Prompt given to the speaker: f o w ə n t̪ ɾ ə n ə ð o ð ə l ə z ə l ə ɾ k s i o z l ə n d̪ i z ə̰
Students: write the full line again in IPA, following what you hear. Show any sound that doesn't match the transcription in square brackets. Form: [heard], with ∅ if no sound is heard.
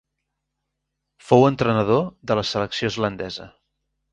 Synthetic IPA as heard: f o w ə n t̪ ɾ ə n ə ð o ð ə l ə [s] ə l ə [∅] k s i o z l ə n d̪ [ɛ] z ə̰